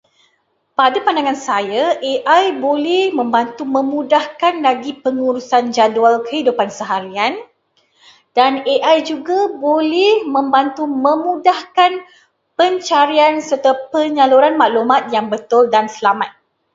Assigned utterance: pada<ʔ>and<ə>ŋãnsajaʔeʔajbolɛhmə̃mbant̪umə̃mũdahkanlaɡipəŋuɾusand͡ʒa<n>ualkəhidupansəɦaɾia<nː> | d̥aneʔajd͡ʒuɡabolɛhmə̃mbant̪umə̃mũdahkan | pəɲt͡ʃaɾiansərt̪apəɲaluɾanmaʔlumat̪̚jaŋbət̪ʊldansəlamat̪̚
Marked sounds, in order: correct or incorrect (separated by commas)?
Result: incorrect, incorrect, incorrect, incorrect